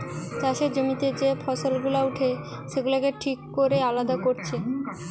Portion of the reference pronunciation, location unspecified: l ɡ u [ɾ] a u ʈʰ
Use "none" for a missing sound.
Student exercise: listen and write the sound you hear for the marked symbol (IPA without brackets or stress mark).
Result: l